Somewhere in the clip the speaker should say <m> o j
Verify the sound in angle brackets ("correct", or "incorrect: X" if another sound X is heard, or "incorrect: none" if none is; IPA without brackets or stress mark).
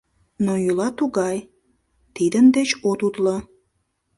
incorrect: n